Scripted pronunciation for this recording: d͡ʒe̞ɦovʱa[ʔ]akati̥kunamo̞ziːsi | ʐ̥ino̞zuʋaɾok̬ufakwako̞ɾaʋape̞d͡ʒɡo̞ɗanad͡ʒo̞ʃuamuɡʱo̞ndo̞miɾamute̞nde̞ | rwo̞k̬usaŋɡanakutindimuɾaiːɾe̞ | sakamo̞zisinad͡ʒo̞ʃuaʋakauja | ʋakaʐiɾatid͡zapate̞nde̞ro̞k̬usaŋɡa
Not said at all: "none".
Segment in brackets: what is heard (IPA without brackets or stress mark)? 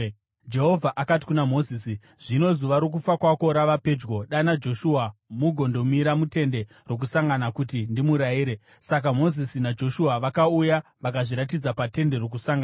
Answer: ʔ